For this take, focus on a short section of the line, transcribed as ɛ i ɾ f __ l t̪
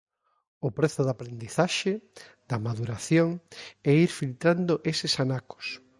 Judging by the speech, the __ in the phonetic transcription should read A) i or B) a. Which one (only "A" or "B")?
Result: A